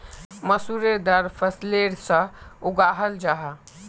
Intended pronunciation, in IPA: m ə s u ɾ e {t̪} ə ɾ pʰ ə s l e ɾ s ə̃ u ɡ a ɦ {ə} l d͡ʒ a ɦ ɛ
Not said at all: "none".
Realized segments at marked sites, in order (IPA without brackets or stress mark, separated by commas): d̪, ə